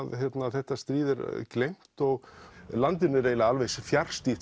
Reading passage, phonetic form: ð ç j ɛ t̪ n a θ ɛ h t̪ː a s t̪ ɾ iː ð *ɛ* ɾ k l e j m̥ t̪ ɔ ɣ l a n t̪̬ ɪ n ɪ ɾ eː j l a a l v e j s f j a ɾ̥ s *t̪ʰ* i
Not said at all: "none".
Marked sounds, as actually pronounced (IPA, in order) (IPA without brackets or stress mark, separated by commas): ɛ, t̪